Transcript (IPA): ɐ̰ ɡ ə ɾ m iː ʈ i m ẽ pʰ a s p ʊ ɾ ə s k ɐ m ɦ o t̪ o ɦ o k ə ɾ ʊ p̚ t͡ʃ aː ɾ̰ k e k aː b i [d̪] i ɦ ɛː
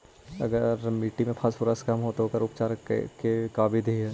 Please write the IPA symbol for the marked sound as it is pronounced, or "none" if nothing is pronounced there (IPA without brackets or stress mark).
d̪